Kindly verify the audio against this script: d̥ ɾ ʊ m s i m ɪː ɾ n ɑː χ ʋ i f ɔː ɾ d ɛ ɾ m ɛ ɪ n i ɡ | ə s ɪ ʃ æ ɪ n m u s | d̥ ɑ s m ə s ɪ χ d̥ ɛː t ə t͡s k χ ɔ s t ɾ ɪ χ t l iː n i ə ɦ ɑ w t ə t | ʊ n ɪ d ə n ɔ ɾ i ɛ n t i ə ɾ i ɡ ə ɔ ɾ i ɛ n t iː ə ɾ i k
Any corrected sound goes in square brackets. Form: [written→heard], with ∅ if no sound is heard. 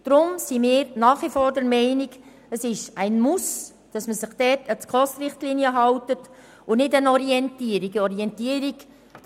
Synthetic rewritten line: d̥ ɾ ʊ m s i m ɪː ɾ n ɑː χ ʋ i f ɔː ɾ d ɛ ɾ m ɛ ɪ n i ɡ | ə s ɪ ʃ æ ɪ n m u s | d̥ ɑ s m ə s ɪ χ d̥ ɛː t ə t͡s k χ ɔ s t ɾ ɪ χ t l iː n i ə ɦ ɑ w t ə t | ʊ n ɪ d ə n ɔ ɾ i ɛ n t i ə ɾ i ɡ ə ɔ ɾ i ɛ n t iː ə ɾ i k